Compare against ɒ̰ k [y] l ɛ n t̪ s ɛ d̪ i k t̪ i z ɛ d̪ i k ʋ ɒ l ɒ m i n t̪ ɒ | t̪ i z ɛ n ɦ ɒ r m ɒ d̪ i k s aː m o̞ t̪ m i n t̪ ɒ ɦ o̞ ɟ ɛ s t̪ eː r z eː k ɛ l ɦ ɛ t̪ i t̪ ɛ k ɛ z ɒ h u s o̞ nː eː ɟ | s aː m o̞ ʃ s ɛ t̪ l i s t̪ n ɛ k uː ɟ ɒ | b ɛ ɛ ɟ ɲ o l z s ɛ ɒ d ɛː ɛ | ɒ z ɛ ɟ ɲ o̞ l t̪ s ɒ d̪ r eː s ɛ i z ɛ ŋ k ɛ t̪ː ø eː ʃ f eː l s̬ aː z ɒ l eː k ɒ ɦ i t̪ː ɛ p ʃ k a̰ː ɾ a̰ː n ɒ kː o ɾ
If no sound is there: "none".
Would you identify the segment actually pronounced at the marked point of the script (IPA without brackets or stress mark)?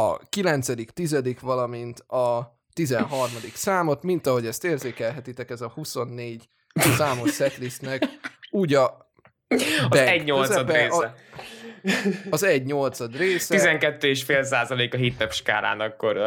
i